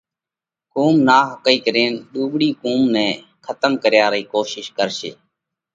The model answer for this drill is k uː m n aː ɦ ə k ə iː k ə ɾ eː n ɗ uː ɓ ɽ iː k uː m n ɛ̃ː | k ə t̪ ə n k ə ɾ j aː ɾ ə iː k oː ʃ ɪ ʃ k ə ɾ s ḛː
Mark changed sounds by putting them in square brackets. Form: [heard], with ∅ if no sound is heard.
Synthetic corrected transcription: k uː m n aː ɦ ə k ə iː k ə ɾ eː n ɗ uː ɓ ɽ iː k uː m n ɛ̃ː | [kʰ] ə t̪ ə [m] k ə ɾ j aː ɾ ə iː k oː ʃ ɪ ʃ k ə ɾ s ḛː